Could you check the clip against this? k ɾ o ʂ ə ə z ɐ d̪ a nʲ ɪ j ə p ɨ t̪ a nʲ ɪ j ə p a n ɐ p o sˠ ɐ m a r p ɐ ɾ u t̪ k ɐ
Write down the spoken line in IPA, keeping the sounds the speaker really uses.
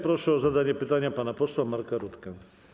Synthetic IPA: p ɾ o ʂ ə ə z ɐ d̪ a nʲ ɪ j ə p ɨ t̪ a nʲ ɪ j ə p a n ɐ p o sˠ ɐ m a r k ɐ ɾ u t̪ k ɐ